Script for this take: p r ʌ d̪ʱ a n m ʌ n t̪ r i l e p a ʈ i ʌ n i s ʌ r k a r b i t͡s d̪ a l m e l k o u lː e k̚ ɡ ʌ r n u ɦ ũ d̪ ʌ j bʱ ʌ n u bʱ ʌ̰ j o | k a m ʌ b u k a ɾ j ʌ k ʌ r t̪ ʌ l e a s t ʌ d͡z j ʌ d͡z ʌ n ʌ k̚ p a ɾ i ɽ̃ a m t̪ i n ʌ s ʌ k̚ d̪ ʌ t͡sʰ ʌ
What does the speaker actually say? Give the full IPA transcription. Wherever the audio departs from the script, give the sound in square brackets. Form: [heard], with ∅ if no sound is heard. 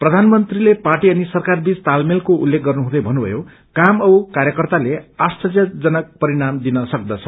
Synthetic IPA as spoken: p r ʌ d̪ʱ a n m ʌ n t̪ r i l e p a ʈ i ʌ n i s ʌ r k a r b i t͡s [t̪] a l m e l k o u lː e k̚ ɡ ʌ r n u ɦ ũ d̪ ʌ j bʱ ʌ n u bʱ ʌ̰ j o | k a m ʌ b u k a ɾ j ʌ k ʌ r t̪ [a] l e a s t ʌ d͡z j ʌ d͡z ʌ n ʌ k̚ p [ʌ] ɾ i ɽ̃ a m [d̪] i n ʌ s ʌ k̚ d̪ ʌ t͡sʰ ʌ